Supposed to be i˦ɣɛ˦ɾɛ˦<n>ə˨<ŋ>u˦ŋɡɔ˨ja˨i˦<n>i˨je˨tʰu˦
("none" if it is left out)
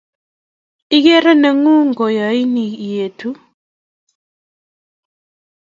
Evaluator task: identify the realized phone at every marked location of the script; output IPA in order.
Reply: n, ŋ, n

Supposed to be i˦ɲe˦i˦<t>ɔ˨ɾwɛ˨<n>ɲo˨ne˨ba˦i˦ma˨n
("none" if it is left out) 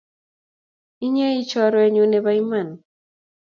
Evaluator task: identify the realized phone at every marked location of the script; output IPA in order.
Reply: t͡ʃ, none

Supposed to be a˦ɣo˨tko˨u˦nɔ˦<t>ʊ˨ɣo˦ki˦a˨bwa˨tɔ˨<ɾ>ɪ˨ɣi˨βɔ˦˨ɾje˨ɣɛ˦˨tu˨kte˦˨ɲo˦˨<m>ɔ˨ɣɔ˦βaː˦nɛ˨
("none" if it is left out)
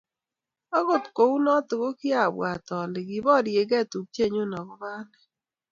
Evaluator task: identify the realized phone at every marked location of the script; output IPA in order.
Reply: t, l, n

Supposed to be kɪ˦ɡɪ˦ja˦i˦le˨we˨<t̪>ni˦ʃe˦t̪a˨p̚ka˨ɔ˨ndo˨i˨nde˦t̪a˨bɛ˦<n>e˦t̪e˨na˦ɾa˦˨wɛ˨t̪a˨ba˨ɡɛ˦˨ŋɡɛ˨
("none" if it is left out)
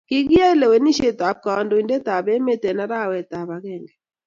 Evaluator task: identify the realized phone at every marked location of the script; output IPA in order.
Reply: none, m

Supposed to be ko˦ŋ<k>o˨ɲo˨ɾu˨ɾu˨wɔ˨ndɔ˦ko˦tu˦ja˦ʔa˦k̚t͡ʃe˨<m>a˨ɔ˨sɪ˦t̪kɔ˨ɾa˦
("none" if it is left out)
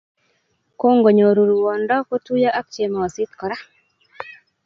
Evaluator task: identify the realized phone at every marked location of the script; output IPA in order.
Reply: ɡ, m

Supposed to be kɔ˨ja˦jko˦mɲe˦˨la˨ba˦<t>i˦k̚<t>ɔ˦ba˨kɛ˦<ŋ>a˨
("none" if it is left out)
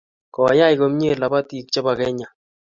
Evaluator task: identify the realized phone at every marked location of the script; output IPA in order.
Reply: t, t͡ʃ, ɲ

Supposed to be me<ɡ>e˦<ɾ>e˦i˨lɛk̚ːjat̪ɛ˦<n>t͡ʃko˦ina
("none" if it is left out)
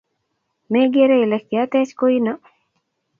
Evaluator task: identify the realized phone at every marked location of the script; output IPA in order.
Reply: ɡ, ɾ, none

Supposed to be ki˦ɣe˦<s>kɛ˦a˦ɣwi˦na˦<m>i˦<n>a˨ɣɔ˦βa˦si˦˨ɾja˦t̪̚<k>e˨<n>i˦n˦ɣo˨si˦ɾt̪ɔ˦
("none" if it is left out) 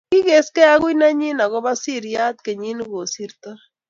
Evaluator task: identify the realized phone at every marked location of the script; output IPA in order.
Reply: s, ɲ, n, k, ɲ

